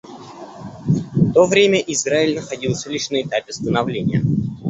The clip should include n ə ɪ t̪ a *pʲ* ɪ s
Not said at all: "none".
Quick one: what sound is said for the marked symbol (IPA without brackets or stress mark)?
pʲ